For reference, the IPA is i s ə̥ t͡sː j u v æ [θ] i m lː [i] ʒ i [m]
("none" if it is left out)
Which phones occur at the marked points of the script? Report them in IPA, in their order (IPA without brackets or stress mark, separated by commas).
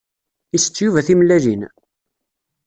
θ, æ, n